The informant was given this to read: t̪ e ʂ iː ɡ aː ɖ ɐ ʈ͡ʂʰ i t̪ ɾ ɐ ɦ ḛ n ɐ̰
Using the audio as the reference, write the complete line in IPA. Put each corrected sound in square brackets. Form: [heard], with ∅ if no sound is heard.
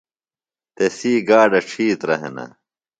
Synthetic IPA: t̪ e [s] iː ɡ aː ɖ ɐ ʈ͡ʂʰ [iː] t̪ ɾ ɐ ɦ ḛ n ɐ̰

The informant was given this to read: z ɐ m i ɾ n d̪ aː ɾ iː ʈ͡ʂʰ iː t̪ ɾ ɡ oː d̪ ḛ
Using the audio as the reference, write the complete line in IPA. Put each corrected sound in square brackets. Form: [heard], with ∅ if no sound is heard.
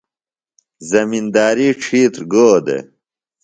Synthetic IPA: z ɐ m i [∅] n d̪ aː ɾ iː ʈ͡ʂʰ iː t̪ ɾ ɡ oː d̪ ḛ

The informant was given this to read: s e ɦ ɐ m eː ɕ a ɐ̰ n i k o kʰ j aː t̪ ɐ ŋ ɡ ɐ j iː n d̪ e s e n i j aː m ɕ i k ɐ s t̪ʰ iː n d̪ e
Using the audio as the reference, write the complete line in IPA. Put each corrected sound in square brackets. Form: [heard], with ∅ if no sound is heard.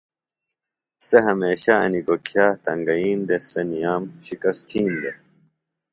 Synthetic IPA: s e ɦ ɐ m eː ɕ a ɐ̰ n i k o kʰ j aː t̪ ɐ ŋ ɡ ɐ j iː n d̪ e s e n i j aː m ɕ i k ɐ s t̪ʰ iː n d̪ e

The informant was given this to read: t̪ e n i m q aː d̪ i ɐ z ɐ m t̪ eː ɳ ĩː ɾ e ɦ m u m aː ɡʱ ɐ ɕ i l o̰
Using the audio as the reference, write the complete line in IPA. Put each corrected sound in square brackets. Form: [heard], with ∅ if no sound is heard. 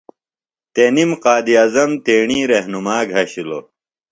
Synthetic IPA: t̪ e n i m q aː d̪ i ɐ z ɐ m t̪ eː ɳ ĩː ɾ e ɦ [n] u m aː ɡʱ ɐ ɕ i l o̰

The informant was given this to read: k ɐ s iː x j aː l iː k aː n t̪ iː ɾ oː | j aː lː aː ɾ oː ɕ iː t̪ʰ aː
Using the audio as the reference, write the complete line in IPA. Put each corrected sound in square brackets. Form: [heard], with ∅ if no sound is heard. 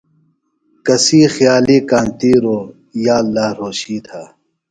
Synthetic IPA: k ɐ s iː x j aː l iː k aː n t̪ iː ɾ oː | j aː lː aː ɾ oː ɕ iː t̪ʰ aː

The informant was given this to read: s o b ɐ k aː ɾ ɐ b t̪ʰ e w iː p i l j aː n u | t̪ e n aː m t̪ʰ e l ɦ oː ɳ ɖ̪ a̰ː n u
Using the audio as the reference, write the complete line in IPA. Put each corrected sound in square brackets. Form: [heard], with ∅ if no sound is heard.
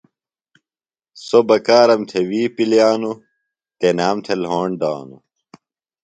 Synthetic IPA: s o b ɐ k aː ɾ ɐ [m] t̪ʰ e w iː p i l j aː n u | t̪ e n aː m t̪ʰ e l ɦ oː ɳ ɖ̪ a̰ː n u

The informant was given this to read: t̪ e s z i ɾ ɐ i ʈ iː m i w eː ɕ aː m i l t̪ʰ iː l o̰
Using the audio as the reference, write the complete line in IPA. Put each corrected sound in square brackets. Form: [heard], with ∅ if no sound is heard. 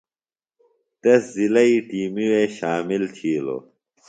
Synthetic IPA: t̪ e s z i [l] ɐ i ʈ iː m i w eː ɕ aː m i l t̪ʰ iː l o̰

